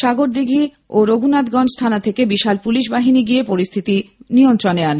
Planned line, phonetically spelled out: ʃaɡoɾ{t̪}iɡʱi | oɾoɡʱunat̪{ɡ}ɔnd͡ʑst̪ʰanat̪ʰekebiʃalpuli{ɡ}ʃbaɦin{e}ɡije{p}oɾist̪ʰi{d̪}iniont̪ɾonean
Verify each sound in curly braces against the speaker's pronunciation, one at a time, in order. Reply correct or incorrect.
incorrect, correct, incorrect, incorrect, correct, incorrect

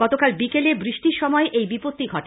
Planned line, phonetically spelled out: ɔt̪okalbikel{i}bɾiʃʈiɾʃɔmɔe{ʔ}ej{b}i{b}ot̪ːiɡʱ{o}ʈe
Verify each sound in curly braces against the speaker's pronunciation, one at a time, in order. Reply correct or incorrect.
incorrect, correct, correct, incorrect, incorrect

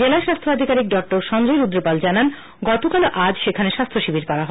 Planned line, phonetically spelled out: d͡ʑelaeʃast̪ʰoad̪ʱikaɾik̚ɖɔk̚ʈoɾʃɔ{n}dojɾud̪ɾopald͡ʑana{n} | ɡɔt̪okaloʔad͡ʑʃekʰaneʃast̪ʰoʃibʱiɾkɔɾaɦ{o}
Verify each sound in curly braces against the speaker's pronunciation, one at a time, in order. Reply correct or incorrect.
correct, correct, incorrect

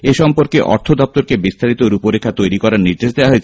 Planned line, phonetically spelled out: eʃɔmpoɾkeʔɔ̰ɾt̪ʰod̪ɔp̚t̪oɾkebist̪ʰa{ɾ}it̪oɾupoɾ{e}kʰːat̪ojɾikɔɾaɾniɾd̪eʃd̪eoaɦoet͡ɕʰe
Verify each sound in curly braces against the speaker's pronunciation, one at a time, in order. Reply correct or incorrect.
correct, correct

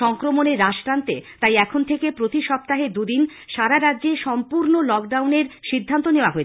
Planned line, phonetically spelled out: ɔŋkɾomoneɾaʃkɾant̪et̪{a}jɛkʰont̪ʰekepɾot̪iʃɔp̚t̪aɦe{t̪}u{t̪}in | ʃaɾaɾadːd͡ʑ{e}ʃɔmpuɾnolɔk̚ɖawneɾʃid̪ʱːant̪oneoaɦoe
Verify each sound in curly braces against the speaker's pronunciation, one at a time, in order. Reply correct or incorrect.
correct, incorrect, incorrect, correct

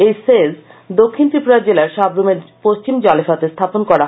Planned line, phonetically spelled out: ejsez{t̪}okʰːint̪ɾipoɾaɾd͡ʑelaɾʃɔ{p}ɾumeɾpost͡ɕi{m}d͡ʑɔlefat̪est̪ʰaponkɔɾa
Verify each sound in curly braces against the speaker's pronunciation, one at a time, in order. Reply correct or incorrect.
incorrect, incorrect, correct

